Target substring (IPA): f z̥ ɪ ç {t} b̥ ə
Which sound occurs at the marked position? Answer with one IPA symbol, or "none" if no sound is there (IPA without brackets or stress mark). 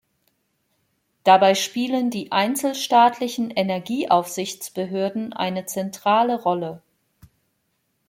t͡s